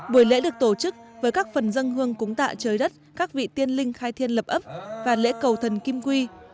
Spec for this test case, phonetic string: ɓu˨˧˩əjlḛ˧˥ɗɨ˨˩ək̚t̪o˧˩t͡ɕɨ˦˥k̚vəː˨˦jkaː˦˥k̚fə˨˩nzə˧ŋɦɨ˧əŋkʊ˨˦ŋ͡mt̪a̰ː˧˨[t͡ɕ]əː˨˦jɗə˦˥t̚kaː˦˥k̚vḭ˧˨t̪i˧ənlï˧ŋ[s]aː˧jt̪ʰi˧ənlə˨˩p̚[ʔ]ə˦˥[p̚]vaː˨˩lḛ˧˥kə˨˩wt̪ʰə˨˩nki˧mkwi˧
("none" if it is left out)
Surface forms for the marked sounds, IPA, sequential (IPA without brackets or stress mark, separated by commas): t͡ɕ, x, ʔ, p̚